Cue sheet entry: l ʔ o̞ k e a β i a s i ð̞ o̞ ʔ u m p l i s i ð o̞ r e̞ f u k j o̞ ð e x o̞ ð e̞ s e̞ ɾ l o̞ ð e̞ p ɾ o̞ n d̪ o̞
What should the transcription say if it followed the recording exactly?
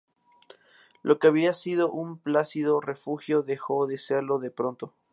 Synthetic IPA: l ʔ o̞ k e a β i a s i ð̞ o̞ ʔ u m p l a s i ð o̞ r e̞ f u x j o̞ ð e x o̞ ð e̞ s e̞ ɾ l o̞ ð e̞ p ɾ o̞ n t̪ o̞